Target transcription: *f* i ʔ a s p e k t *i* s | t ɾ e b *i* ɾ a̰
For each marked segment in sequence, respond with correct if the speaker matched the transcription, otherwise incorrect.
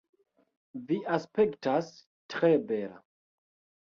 incorrect: v, incorrect: a, incorrect: e

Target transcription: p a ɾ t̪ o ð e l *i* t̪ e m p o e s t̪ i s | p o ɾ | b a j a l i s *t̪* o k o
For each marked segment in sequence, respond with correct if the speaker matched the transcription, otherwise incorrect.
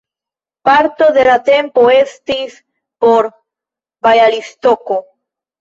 incorrect: a, correct

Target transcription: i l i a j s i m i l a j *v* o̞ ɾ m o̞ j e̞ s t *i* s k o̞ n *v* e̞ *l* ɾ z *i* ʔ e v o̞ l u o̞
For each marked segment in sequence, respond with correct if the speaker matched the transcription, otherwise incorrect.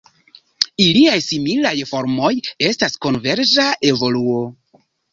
incorrect: f, incorrect: a, correct, incorrect: none, incorrect: a

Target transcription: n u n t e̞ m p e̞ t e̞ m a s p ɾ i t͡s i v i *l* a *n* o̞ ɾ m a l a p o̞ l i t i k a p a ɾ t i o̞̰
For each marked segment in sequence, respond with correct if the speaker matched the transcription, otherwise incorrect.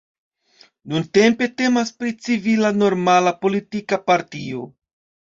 correct, correct

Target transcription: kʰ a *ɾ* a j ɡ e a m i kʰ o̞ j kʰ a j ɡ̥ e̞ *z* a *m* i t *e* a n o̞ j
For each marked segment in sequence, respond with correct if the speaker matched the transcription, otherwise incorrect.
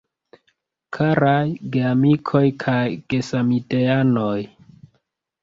correct, incorrect: s, correct, correct

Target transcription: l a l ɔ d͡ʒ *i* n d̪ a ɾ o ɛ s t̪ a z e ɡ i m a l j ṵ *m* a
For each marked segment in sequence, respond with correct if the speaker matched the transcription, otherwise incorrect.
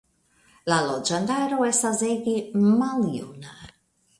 incorrect: a, incorrect: n

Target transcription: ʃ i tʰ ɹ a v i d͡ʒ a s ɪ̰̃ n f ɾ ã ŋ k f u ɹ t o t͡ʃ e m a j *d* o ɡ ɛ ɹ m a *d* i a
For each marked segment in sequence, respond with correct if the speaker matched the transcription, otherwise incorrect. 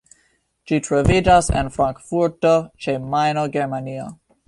incorrect: n, incorrect: n

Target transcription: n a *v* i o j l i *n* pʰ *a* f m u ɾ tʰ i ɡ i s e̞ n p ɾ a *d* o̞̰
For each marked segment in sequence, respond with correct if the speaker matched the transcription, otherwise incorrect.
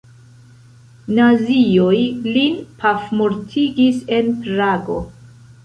incorrect: z, correct, correct, incorrect: ɡ

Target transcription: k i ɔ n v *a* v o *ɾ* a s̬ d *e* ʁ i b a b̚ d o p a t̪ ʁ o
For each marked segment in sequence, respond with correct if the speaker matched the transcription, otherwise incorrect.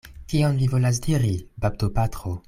incorrect: i, incorrect: l, incorrect: i

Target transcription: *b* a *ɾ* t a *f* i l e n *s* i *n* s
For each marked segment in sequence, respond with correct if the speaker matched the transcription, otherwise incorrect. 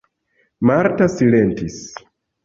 incorrect: m, correct, incorrect: s, incorrect: t, incorrect: none

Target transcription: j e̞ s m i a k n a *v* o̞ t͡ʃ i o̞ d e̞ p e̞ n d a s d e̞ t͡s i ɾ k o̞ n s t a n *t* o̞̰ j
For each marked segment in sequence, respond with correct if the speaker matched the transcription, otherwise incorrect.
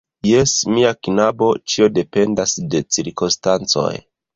incorrect: b, incorrect: t͡s

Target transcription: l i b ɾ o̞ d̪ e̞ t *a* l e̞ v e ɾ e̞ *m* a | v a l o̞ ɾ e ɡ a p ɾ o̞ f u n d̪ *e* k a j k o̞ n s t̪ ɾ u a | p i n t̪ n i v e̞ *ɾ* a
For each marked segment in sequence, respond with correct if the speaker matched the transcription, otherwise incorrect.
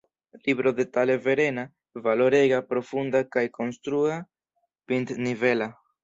correct, incorrect: n, incorrect: a, incorrect: l

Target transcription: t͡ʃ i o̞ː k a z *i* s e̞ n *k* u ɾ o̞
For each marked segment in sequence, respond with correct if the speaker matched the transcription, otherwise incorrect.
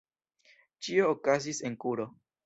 correct, correct

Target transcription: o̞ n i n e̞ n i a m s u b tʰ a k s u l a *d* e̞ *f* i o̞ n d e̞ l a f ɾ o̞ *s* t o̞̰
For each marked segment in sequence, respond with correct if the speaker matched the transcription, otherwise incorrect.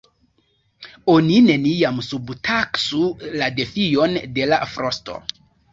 correct, correct, correct

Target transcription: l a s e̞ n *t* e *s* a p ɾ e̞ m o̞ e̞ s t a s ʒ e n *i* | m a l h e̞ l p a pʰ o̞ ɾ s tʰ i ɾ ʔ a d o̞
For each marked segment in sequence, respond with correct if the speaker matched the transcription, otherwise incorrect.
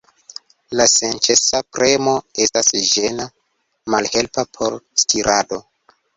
incorrect: t͡ʃ, correct, incorrect: a

